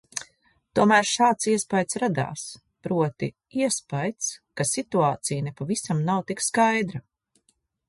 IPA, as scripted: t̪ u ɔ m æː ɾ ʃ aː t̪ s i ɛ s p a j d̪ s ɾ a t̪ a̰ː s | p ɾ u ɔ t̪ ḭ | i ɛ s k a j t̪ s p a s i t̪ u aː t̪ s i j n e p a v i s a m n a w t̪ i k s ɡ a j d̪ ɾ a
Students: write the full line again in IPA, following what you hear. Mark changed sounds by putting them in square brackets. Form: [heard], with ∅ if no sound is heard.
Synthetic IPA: t̪ u ɔ m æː ɾ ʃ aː t̪ s i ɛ s p a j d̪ s ɾ a [d̪] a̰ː s | p ɾ u ɔ t̪ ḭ | i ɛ s [p] a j t̪ s [k] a s i t̪ u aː t̪ s i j n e p a v i s a m n a w t̪ i k s [k] a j d̪ ɾ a

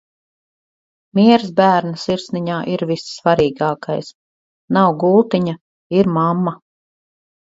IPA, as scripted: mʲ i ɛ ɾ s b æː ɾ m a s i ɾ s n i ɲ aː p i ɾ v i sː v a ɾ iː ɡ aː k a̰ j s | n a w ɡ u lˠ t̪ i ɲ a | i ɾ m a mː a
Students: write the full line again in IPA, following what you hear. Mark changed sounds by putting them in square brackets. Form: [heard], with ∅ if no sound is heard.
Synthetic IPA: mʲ i ɛ ɾ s b æː ɾ [n] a s i ɾ s n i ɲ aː [ʔ] i ɾ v i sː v a ɾ iː ɡ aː k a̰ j s | n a w ɡ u lˠ t̪ i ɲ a | i ɾ m a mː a

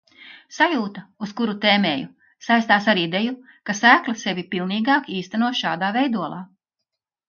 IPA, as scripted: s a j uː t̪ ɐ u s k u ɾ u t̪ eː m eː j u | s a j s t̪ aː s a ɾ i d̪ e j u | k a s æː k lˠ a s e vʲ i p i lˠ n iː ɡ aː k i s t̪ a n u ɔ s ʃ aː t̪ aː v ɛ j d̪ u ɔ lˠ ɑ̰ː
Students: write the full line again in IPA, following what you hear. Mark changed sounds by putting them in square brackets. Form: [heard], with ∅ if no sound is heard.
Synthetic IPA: s a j uː t̪ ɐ u s k u ɾ u t̪ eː m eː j u | s a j s t̪ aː s a ɾ i d̪ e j u | k a s æː k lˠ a s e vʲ i p i lˠ n iː ɡ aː k [iː] s t̪ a n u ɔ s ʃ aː [d̪] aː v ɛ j d̪ u ɔ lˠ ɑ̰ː

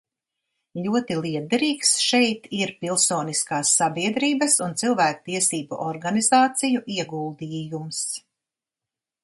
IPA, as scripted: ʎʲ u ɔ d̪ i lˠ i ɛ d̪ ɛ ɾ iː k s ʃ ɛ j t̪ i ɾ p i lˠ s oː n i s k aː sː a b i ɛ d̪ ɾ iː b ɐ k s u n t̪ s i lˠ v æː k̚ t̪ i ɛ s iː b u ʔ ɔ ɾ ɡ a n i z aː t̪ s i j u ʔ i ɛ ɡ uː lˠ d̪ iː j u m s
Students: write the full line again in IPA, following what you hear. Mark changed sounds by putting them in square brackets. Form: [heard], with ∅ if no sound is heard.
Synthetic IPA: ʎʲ u ɔ [t̪] i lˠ i ɛ d̪ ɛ ɾ iː k s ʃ ɛ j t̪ i ɾ p i lˠ s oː n i s k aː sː a b i ɛ d̪ ɾ iː b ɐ [∅] s u n t̪ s i lˠ v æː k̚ t̪ i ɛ s iː b u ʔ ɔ ɾ ɡ a n i z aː t̪ s i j u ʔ i ɛ ɡ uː lˠ d̪ iː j u m s

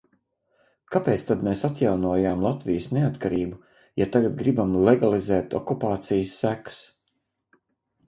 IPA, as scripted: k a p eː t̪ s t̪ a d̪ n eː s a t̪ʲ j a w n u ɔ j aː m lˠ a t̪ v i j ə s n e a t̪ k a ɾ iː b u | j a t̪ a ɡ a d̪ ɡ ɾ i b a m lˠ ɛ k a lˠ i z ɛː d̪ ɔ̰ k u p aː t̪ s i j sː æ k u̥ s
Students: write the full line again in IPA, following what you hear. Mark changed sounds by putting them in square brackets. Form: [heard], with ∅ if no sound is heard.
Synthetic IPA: k a p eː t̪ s t̪ a d̪ [m] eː s a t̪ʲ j a w n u ɔ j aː m lˠ a t̪ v i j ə s n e a t̪ k a ɾ iː b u | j a t̪ a ɡ a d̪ ɡ ɾ i b a m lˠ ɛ [ɡ] a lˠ i z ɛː [t̪] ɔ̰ k u p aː t̪ s i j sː æ k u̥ s

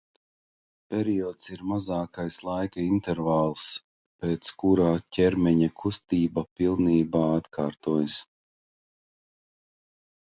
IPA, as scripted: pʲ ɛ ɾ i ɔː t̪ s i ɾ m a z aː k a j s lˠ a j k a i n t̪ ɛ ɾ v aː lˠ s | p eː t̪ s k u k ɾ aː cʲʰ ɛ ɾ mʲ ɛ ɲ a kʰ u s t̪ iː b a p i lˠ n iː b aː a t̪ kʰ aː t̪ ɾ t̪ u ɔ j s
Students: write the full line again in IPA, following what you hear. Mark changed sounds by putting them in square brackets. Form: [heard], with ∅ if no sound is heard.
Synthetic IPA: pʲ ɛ ɾ i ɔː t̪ s i ɾ m a z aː k a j s lˠ a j k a i n t̪ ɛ ɾ v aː lˠ s | p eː t̪ s k u [∅] ɾ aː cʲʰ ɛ ɾ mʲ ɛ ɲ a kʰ u s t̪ iː b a p i lˠ n iː b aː a t̪ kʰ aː [∅] ɾ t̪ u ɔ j s

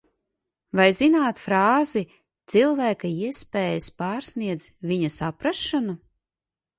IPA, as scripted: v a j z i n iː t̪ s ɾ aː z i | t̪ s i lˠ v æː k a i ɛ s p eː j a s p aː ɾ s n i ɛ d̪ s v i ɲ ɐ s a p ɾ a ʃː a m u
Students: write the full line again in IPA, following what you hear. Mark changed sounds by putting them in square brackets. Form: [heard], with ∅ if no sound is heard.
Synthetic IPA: v a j z i n [aː] t̪ [f] ɾ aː z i | t̪ s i lˠ v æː k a i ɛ s p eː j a s p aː ɾ s n i ɛ d̪ [z] v i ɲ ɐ s a p ɾ a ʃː a [n] u

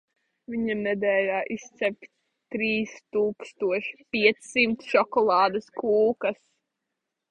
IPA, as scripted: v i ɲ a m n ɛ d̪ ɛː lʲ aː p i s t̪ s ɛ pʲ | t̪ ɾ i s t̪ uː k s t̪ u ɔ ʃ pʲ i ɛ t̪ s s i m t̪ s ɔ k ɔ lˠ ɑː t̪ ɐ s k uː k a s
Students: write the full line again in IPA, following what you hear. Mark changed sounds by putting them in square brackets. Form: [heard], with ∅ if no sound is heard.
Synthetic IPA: v i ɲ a m n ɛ d̪ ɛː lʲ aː [ʔ] i s t̪ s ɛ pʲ | t̪ ɾ [iː] s t̪ uː k s t̪ u ɔ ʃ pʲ i ɛ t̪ s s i m t̪ [ʃ] ɔ k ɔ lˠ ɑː [d̪] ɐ s k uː k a s

